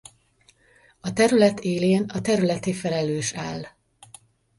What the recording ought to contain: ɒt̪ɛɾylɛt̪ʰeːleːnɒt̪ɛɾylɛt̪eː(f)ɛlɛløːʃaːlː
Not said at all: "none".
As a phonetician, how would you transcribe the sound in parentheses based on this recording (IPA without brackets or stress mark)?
f